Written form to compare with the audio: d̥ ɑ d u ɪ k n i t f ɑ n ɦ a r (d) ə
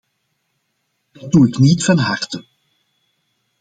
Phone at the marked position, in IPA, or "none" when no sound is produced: t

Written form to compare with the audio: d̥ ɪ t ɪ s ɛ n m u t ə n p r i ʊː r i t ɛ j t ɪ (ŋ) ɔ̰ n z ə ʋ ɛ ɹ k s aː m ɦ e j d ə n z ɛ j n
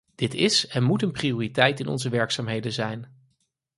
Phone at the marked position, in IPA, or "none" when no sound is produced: n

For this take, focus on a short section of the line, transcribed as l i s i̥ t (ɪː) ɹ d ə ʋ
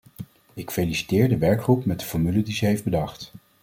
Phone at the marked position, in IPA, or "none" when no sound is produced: ɪː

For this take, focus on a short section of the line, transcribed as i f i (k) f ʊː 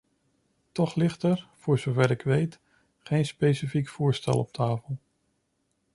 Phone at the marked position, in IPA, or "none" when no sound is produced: k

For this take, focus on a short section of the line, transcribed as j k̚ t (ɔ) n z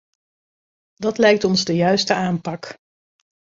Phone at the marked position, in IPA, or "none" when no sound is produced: ɔ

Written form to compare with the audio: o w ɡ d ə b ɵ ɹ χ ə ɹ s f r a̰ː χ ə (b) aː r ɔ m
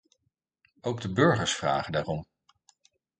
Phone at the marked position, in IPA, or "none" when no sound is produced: d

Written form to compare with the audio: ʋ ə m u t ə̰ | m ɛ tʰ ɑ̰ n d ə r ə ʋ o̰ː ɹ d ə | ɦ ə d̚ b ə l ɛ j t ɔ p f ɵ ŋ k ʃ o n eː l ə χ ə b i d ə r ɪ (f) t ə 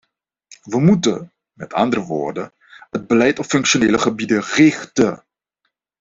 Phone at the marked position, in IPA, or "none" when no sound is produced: χ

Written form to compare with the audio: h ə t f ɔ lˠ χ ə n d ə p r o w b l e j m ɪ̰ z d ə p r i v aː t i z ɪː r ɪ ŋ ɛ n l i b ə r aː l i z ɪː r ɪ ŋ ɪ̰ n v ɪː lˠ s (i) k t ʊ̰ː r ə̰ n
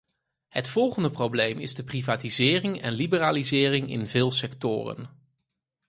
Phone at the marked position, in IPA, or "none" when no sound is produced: ɛ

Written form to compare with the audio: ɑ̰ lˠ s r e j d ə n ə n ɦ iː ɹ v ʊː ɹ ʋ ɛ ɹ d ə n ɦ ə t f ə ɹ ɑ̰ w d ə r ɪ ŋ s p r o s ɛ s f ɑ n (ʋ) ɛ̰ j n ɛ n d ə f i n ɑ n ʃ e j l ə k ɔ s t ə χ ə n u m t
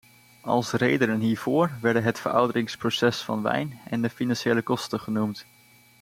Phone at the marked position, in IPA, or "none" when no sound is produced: ʋ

